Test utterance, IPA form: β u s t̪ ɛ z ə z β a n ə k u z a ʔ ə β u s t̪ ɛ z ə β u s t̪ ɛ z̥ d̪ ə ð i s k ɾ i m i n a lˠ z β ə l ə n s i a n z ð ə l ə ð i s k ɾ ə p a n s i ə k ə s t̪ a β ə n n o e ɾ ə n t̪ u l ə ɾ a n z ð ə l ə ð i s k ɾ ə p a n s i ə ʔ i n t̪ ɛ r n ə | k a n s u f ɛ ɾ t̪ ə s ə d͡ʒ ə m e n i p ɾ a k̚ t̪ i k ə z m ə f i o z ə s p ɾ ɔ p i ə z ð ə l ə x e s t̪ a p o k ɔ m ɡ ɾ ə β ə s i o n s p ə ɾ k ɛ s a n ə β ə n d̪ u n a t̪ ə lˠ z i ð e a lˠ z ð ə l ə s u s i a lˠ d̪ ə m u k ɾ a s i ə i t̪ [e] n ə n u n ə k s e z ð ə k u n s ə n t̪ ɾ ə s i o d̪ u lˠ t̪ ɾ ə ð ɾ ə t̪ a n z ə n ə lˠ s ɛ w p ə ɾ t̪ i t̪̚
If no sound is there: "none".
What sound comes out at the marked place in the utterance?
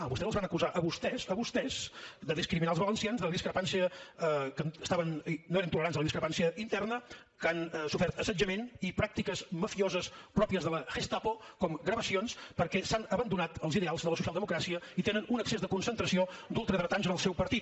e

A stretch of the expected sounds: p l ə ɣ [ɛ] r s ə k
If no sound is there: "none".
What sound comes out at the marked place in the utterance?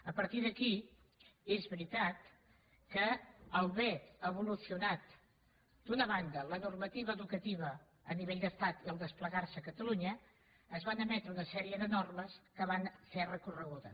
a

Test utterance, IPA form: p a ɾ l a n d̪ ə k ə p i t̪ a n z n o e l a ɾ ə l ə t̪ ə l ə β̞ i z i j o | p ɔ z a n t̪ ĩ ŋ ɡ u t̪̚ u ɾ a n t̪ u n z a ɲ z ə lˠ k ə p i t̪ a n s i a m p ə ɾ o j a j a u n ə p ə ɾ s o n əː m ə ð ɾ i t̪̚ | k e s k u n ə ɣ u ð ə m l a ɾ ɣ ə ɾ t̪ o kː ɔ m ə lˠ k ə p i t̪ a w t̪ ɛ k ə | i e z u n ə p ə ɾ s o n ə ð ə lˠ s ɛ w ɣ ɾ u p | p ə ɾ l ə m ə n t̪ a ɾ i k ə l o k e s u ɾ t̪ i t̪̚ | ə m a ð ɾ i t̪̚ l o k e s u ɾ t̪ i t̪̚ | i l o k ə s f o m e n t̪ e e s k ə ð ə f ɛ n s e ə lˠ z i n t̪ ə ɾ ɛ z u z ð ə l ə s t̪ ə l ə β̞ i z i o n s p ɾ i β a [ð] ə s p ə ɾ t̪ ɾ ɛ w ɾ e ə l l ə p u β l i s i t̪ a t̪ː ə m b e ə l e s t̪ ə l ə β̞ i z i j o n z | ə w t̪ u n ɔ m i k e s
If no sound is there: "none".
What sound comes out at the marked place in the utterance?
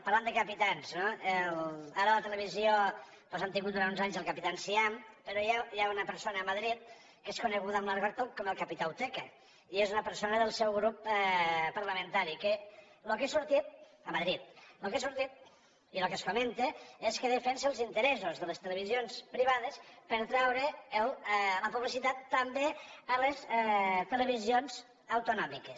ð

